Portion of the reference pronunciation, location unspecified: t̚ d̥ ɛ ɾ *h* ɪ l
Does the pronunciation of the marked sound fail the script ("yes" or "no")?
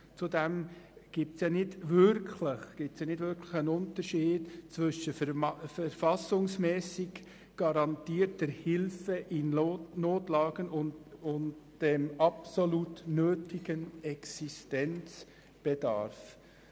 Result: no